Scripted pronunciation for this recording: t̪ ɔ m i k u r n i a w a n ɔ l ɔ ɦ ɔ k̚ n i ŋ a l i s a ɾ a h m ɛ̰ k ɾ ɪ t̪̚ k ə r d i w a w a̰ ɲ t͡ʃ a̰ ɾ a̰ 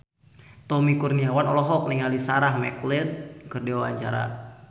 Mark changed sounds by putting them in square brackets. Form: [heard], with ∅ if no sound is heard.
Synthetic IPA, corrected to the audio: t̪ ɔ m i k u r n i a w a n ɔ l ɔ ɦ ɔ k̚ n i ŋ a l i s a ɾ a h m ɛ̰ k [l] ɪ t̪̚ k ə r d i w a w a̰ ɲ t͡ʃ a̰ ɾ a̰